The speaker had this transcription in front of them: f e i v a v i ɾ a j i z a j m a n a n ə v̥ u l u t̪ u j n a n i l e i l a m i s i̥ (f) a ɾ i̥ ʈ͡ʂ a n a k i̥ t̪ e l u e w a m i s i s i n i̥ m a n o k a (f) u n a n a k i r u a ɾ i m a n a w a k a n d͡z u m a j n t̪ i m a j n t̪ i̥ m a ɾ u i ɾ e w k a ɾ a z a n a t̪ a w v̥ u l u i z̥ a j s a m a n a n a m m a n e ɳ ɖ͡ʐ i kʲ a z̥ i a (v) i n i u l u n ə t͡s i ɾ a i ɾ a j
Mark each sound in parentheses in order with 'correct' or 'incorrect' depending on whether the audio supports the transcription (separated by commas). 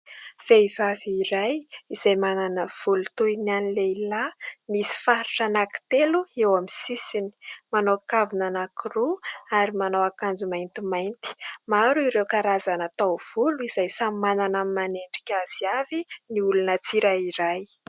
correct, incorrect, correct